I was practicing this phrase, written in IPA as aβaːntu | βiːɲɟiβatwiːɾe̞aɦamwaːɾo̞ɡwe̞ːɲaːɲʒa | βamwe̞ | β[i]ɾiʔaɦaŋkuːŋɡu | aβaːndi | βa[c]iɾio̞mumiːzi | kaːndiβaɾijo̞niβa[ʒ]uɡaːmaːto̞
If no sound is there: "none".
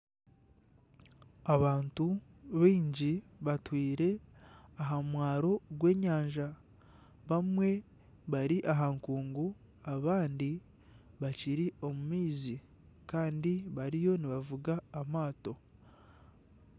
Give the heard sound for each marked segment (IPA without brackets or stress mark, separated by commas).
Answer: a, c, v